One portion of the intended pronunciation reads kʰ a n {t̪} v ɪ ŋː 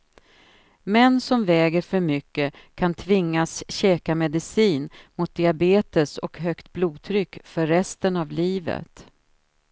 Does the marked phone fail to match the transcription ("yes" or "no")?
yes